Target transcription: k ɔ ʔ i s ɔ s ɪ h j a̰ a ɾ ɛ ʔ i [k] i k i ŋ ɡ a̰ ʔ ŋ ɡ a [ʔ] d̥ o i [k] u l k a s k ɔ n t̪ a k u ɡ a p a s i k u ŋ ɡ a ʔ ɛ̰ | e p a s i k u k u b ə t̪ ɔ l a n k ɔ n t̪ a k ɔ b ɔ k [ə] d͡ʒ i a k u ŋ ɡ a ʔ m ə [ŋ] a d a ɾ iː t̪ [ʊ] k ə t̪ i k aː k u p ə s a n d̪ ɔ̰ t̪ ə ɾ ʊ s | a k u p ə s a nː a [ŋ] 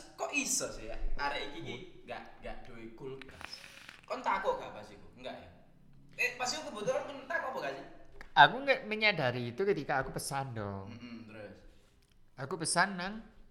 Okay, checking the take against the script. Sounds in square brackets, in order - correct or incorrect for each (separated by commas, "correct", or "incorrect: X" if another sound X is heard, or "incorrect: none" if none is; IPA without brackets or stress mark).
correct, correct, correct, incorrect: a, incorrect: ɲ, incorrect: u, correct